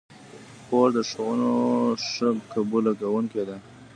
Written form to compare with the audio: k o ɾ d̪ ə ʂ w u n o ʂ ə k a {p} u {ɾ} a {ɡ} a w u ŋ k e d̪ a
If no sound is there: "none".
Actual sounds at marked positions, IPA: b, l, ɡ

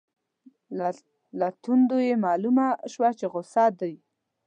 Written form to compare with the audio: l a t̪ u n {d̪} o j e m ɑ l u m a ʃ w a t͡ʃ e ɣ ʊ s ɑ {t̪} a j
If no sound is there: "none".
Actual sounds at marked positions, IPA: d̪, d̪

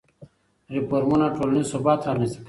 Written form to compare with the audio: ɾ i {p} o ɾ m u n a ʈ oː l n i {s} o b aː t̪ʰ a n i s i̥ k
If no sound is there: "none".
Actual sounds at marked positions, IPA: p, s

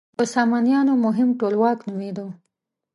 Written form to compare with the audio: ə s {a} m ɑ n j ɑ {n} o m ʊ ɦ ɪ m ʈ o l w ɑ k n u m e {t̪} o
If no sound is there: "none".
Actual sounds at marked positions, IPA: ɑ, n, d̪

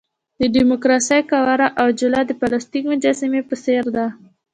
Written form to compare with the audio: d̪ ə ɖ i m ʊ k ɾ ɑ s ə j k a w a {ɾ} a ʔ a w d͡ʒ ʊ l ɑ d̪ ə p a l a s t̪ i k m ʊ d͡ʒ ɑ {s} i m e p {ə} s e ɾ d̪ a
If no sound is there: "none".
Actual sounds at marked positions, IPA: ɾ, s, ə

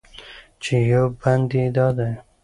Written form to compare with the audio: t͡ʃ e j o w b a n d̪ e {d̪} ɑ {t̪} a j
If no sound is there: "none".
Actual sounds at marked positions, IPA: d̪, d̪

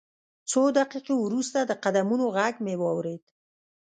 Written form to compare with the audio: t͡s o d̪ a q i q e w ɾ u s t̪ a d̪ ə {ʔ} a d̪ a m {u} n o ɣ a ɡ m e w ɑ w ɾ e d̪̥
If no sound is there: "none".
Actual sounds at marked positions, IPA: q, u

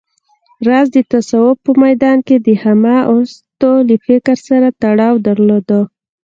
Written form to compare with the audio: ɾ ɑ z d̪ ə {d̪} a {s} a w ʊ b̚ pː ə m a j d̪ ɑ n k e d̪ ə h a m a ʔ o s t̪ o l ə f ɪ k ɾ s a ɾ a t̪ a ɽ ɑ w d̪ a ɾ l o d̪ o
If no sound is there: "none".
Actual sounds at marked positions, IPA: t̪, s

